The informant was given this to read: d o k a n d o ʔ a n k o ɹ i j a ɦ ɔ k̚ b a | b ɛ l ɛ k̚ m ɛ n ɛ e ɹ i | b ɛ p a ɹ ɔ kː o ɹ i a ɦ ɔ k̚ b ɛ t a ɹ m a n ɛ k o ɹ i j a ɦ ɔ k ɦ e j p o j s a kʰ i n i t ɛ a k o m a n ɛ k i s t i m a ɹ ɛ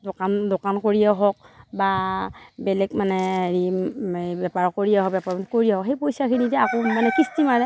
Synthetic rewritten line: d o k a n d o k a n k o ɹ i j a ɦ ɔ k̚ b a | b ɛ l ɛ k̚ m a n ɛ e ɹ i | b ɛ p a ɹ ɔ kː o ɹ i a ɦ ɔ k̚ b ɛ p a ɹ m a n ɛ k o ɹ i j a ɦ ɔ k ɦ e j p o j s a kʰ i n i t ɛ a k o m a n ɛ k i s t i m a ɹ ɛ